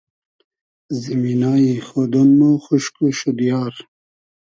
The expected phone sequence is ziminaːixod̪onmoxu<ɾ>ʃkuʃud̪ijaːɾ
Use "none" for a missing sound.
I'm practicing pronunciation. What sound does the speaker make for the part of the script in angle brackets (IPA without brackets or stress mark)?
none